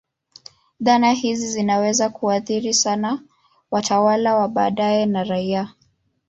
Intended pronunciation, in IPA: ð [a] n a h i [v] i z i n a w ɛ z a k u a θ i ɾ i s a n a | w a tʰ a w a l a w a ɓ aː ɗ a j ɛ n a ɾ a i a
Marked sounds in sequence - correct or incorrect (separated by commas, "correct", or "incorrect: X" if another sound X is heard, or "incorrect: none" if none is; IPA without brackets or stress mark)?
correct, incorrect: z